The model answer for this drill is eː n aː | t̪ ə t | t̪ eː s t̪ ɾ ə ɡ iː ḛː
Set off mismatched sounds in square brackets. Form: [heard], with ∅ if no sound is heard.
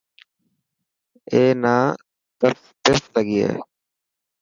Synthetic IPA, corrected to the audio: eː n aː | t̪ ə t | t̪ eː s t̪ [l] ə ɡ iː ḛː